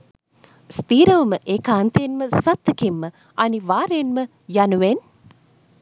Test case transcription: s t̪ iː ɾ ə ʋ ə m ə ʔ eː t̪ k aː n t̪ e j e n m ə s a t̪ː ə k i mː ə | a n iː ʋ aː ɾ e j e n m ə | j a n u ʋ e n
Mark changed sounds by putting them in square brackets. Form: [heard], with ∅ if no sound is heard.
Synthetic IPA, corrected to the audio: s t̪ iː ɾ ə ʋ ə m ə ʔ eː [∅] k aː n t̪ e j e n m ə s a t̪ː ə k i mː ə | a n [i] ʋ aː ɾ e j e n m ə | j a n u ʋ e n